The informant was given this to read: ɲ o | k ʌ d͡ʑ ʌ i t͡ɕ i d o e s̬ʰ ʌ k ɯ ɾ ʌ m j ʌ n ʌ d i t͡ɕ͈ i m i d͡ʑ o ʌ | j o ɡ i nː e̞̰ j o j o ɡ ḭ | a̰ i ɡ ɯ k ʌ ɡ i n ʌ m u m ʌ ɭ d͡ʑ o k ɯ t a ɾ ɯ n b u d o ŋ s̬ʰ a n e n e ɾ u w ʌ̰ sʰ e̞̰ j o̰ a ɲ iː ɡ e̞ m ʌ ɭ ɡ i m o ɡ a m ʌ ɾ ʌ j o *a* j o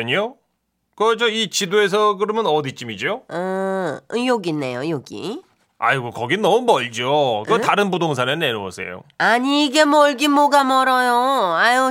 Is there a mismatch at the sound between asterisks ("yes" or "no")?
no